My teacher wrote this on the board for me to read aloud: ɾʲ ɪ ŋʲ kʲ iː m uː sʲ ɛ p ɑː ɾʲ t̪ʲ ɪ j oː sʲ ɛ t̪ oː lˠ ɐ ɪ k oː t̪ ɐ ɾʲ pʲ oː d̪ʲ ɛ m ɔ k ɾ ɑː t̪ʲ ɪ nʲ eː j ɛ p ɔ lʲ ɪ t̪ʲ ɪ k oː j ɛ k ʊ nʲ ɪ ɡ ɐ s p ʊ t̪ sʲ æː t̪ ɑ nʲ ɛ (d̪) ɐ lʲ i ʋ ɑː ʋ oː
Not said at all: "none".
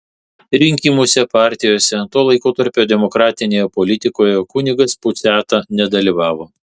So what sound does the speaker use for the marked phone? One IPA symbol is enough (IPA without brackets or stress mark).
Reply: d̪